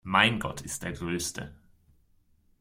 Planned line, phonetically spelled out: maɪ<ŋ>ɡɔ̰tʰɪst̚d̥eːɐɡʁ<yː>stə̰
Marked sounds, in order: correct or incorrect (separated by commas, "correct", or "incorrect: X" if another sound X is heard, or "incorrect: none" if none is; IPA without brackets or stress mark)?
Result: incorrect: n, incorrect: øː